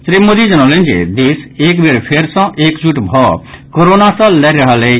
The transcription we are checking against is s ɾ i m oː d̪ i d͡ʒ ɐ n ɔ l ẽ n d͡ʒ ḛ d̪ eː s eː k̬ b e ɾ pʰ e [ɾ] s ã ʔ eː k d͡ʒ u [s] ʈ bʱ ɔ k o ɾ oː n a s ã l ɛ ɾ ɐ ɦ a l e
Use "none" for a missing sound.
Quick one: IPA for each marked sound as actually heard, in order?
ɾ, none

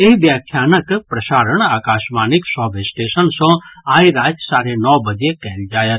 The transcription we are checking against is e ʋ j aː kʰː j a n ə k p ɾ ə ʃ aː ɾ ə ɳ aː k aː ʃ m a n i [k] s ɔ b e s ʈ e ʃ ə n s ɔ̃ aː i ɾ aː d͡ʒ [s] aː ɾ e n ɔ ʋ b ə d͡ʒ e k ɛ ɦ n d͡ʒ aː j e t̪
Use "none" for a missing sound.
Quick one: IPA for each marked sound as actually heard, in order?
k, s

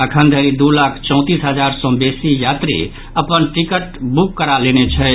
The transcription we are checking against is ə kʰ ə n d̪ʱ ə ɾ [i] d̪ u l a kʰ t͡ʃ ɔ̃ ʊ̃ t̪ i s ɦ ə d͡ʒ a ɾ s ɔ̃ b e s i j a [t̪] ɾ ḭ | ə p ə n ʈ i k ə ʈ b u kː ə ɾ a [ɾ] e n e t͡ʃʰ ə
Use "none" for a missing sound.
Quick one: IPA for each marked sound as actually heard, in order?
i, t̪, l

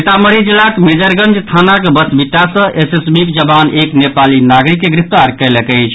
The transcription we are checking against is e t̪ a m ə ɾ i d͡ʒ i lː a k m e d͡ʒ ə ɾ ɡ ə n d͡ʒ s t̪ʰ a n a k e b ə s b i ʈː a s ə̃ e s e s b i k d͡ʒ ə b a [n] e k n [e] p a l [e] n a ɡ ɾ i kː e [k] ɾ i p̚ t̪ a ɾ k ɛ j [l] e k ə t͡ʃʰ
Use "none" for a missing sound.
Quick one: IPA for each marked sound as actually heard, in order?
n, e, i, ɡ, l

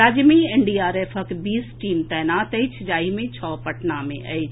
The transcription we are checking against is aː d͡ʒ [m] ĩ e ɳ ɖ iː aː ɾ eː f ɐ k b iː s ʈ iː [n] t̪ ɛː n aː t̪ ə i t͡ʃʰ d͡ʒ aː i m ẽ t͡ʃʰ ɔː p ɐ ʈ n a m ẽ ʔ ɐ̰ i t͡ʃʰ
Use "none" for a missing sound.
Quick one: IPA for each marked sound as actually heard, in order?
m, m

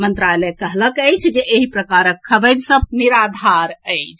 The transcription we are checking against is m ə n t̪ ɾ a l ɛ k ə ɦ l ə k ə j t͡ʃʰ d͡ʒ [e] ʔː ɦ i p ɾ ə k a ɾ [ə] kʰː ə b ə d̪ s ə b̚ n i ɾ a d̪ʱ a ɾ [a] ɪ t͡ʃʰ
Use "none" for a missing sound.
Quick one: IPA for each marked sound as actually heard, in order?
e, ə, ə

